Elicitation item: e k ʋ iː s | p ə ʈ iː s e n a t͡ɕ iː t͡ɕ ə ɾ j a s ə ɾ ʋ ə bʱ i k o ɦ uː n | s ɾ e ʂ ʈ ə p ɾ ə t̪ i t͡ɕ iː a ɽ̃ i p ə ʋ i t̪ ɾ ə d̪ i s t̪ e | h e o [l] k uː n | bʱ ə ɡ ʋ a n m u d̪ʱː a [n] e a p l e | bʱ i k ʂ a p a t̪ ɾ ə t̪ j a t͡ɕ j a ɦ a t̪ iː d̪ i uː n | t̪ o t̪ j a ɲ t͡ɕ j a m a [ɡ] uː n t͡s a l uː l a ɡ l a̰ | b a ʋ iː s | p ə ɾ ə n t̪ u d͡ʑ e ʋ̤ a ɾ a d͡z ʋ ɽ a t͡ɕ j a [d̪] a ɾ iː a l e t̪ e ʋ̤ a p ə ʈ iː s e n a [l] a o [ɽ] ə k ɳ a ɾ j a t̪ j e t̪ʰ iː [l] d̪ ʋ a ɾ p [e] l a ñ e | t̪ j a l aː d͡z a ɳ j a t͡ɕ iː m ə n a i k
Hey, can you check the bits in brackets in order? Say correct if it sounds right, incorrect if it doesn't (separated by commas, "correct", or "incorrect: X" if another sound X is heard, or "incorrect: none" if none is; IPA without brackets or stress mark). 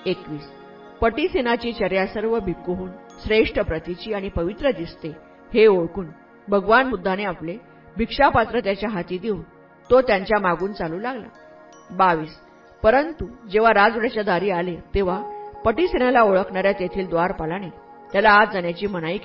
incorrect: ɭ, correct, correct, correct, correct, incorrect: ɭ, correct, incorrect: a